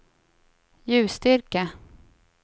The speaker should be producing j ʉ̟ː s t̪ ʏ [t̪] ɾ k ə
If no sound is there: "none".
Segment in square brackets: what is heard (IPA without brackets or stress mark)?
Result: none